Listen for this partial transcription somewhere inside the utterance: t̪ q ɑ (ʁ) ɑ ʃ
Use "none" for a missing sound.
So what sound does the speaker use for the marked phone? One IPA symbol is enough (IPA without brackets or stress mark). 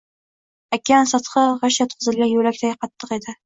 ʁ